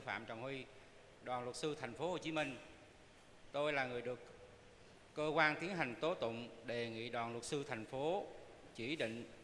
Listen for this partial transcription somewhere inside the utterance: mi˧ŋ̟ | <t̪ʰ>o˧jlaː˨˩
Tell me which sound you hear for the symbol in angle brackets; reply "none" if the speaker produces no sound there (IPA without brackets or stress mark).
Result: t̪